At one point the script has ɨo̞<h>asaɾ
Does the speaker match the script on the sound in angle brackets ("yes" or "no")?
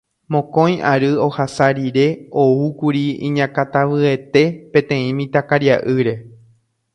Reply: yes